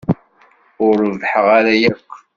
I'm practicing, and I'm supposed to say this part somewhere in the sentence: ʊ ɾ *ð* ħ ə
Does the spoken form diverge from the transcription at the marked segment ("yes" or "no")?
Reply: yes